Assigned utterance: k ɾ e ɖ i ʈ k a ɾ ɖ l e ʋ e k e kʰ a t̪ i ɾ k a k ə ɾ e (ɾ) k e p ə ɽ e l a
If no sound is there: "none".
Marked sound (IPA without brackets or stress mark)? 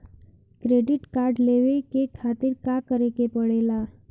none